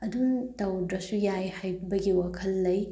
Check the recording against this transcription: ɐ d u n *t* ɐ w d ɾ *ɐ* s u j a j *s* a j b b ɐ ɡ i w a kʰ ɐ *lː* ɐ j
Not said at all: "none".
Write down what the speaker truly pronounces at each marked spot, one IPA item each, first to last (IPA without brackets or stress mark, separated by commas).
t, ɐ, h, lː